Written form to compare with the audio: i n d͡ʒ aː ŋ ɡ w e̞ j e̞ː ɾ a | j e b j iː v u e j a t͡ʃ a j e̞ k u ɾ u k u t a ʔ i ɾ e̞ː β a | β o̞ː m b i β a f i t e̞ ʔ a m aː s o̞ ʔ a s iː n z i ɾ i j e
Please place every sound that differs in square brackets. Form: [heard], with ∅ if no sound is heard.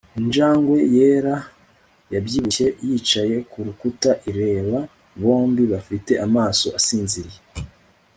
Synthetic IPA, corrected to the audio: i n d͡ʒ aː ŋ ɡ w e̞ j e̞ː ɾ a | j [a] b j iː [β] u e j [i] t͡ʃ a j e̞ k u ɾ u k u t a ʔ i ɾ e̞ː β a | β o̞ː m b i β a f i t e̞ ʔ a m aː s o̞ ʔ a s iː n z i ɾ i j e